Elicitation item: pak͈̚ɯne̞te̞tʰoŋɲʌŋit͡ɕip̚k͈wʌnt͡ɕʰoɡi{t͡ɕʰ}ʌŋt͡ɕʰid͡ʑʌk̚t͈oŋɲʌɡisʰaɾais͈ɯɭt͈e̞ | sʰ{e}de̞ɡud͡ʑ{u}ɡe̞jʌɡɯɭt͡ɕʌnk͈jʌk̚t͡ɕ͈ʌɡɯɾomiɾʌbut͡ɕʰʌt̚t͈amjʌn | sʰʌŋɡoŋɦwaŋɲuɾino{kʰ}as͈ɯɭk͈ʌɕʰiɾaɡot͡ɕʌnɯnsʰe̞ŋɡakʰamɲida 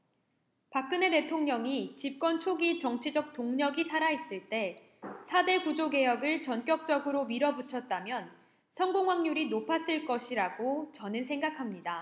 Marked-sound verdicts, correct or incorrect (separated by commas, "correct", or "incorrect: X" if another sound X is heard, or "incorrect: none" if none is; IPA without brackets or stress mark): incorrect: t͡ɕ, incorrect: a, incorrect: o, incorrect: pʰ